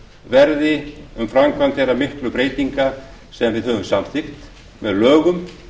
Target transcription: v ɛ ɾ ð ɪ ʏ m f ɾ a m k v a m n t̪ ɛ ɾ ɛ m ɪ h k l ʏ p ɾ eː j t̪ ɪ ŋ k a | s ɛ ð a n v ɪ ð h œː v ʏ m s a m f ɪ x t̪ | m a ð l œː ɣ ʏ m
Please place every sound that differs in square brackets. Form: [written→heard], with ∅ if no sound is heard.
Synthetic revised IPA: v ɛ ɾ ð ɪ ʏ m f ɾ a m k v a [m→∅] n t̪ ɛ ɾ [ɛ→a] m ɪ h k l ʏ p ɾ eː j t̪ [ɪ→i] ŋ k a | s ɛ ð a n v ɪ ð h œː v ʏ m s a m [f→θ] ɪ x t̪ | m [a→ɛ] ð l œː ɣ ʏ m